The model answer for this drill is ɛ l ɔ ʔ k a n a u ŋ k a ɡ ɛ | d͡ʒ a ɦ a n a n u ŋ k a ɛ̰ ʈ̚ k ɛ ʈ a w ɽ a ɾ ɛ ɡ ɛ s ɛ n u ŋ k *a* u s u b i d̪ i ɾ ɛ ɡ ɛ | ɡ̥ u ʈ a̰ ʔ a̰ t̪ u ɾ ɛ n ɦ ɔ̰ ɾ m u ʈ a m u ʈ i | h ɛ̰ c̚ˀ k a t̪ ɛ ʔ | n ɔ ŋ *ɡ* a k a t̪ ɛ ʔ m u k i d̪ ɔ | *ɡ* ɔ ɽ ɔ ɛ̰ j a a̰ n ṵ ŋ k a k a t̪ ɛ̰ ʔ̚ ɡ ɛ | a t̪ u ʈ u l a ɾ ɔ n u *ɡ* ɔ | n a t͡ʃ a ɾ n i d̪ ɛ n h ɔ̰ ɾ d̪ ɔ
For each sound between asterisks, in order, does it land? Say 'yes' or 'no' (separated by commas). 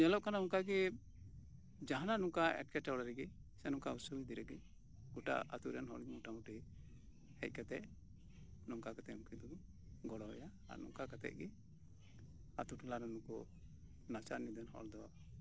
yes, no, yes, no